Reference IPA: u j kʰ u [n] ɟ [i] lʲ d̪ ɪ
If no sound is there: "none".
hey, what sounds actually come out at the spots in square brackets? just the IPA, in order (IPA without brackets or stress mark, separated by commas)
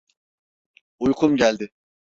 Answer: m, æ